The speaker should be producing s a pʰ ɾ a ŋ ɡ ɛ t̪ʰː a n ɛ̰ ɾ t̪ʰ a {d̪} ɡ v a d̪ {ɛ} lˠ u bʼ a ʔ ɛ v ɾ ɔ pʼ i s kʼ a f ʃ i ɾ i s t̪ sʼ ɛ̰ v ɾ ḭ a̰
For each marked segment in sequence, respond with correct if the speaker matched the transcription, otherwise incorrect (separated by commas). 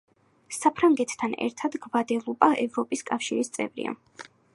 correct, correct